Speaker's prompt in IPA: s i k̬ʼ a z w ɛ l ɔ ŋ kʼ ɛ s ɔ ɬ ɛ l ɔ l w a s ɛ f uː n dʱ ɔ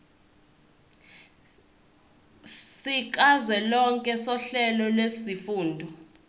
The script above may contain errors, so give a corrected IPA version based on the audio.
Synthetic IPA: s i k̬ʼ a z w ɛ l ɔ ŋ kʼ ɛ s ɔ ɬ ɛ l ɔ l w e s i f uː n dʱ ɔ